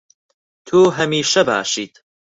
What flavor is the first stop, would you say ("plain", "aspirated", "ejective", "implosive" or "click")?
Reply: aspirated